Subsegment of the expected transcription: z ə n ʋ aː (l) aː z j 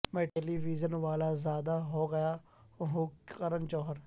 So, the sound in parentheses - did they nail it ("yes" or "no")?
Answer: yes